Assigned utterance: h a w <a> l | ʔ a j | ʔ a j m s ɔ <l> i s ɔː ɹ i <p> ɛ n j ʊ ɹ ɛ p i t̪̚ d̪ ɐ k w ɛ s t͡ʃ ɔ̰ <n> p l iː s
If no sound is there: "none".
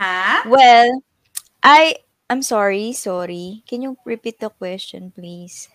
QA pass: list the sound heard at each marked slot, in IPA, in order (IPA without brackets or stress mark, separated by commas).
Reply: ɛ, ɹ, k, n